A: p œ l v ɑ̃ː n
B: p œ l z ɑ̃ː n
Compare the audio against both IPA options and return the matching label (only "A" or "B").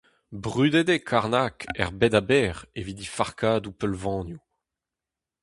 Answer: A